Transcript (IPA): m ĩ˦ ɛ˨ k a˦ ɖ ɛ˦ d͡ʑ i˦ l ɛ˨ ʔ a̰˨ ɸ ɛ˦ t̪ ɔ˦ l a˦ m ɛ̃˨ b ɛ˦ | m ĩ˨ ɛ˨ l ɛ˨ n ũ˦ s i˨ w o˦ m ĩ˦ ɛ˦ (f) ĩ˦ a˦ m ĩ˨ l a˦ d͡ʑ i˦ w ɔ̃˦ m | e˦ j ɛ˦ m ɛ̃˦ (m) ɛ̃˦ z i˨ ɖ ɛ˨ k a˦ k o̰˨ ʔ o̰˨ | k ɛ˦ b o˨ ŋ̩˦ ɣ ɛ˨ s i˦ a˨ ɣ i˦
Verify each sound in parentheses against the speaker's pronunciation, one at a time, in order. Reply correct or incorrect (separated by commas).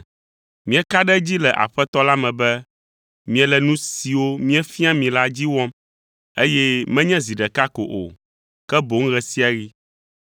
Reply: correct, incorrect